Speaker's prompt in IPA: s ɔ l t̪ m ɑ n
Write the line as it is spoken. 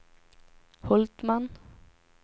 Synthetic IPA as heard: h ɔ l t̪ m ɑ n

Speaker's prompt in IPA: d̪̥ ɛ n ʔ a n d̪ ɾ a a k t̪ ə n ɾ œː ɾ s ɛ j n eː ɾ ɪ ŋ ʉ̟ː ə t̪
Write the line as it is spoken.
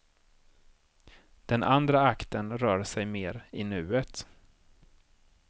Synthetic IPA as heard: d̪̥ ɛ n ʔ a n d̪ ɾ a a k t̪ ə n ɾ œː ɾ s ɛ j m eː ɾ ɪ n ʉ̟ː ə t̪

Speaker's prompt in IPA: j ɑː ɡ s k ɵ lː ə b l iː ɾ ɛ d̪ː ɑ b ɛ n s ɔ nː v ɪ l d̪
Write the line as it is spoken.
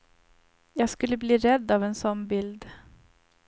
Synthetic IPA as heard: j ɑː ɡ s k ɵ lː ə b l iː ɾ ɛ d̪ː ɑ v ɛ n s ɔ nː b ɪ l d̪

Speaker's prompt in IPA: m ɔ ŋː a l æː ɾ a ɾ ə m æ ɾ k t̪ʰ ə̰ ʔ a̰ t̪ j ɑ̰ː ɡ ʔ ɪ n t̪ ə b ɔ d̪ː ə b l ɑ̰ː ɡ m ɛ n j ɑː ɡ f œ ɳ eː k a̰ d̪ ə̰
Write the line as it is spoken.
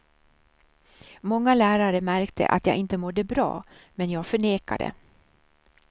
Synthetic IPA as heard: m ɔ ŋː a l æː ɾ a ɾ ə m æ ɾ k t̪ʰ ə̰ ʔ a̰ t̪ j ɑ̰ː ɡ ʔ ɪ n t̪ ə m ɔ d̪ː ə b ɾ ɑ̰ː m ɛ n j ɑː ɡ f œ ɳ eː k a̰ d̪ ə̰

